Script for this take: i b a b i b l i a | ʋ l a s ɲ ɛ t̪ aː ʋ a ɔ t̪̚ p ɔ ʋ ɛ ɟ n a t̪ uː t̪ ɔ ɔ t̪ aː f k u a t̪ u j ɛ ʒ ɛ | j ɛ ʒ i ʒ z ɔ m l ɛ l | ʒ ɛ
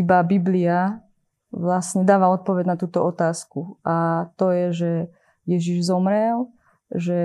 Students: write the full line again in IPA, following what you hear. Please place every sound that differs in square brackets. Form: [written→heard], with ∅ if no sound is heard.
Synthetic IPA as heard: i b a b i b l i a | ʋ l a s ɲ ɛ [t̪→d̪] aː ʋ a ɔ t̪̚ p ɔ ʋ ɛ ɟ n a t̪ uː t̪ ɔ ɔ t̪ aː [f→s] k u a t̪ [u→ɔ] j ɛ ʒ ɛ | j ɛ ʒ i ʒ z ɔ m [l→ɾ] ɛ l | ʒ ɛ